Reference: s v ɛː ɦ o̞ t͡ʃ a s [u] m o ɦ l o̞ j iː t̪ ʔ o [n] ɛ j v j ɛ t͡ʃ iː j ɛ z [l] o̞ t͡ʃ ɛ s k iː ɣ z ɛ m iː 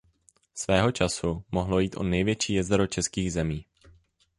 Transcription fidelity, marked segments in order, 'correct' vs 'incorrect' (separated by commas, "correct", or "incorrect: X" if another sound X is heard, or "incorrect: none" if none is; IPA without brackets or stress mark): correct, correct, incorrect: ɾ